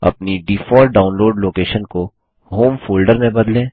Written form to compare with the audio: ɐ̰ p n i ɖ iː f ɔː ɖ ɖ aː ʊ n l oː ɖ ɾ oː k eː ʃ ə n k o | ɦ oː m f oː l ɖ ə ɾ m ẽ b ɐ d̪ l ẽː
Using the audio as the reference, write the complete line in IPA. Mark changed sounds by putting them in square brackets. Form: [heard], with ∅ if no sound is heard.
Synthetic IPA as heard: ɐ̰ p n i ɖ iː f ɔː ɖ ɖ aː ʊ n l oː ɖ [l] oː k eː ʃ ə n k o | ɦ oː m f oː l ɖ ə ɾ m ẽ b ɐ d̪ l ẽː